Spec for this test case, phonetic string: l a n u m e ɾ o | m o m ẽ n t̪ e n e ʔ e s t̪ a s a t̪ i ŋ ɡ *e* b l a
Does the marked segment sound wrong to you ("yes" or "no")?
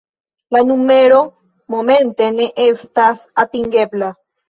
no